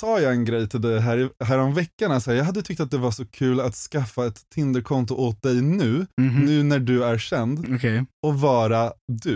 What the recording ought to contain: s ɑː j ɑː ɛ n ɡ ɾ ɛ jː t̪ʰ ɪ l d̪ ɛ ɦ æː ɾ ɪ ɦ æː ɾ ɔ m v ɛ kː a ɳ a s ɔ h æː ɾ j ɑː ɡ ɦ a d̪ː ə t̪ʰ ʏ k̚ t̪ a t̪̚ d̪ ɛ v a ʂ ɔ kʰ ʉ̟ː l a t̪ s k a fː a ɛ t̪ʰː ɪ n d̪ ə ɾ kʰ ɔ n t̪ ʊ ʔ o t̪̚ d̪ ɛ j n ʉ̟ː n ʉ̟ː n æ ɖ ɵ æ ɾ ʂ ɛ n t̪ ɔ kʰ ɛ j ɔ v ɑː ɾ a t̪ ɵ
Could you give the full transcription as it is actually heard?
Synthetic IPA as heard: s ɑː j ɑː ɛ n ɡ ɾ ɛ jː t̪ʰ ɪ l d̪ ɛ ɦ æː ɾ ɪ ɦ æː ɾ ɔ m v ɛ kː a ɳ a s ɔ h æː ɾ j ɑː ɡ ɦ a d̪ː ə t̪ʰ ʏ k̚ t̪ a t̪̚ d̪ ɛ v a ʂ ɔ kʰ ʉ̟ː l a t̪ s k a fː a ɛ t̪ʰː ɪ n d̪ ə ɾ kʰ ɔ n t̪ ʊ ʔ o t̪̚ d̪ ɛ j n ʉ̟ː n ʉ̟ː n æ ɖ ɵ æ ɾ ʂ ɛ n d̪ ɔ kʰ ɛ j ɔ v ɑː ɾ a d̪ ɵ